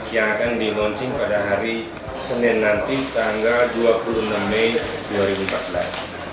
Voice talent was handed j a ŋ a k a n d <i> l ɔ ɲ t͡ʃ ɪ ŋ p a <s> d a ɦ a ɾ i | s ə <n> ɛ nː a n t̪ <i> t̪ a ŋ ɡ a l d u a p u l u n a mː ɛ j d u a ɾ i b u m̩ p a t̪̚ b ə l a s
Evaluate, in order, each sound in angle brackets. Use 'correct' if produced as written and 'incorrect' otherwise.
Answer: correct, incorrect, correct, correct

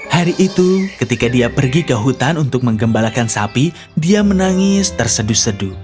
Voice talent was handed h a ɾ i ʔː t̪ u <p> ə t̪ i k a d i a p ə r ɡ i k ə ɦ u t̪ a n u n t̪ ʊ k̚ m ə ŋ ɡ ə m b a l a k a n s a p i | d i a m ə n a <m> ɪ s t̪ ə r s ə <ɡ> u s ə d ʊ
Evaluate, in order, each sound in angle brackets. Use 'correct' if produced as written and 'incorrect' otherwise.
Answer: incorrect, incorrect, incorrect

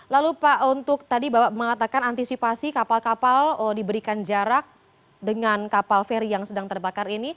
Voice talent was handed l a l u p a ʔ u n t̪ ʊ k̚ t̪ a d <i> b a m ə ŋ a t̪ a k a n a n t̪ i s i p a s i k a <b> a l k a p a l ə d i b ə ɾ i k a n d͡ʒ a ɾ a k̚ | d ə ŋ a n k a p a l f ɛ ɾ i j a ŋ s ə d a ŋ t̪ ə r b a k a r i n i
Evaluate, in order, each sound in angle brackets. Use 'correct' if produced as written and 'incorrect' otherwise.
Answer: correct, incorrect

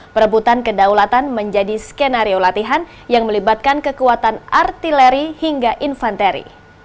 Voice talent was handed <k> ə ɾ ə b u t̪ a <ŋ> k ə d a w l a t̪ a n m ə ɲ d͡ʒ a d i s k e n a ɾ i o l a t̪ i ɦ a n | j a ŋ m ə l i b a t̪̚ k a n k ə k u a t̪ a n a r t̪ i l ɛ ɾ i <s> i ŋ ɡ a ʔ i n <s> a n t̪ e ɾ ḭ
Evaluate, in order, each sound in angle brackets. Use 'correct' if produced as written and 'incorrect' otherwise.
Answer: incorrect, incorrect, incorrect, incorrect

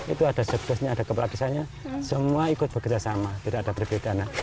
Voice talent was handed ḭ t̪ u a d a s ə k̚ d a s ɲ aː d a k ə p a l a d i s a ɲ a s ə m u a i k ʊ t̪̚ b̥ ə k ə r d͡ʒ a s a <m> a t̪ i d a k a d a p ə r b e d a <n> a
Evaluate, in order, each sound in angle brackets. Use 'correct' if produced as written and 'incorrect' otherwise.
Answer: correct, correct

